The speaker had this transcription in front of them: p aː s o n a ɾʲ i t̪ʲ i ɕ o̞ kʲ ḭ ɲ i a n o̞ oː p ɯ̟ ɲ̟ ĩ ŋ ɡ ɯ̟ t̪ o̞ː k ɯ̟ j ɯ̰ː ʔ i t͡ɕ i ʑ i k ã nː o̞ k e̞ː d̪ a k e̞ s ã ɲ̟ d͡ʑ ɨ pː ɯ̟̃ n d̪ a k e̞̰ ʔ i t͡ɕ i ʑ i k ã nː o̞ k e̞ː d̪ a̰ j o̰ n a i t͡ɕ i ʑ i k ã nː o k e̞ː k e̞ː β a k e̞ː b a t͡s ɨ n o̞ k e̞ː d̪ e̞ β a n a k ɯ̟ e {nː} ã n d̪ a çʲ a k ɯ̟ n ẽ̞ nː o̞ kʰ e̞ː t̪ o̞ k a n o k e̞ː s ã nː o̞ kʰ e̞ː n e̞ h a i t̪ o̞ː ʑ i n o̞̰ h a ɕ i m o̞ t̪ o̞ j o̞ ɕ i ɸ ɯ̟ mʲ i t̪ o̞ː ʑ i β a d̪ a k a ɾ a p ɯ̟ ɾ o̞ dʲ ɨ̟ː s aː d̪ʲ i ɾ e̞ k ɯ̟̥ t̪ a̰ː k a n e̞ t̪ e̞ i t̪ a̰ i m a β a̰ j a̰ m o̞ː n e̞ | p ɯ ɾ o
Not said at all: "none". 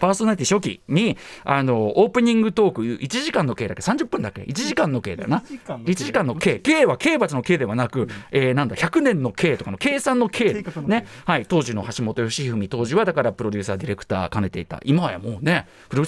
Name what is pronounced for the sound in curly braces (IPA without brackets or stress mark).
n